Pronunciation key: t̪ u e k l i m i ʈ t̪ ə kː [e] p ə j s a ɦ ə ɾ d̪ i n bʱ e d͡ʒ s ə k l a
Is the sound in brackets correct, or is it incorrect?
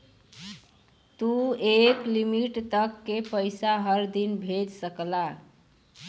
correct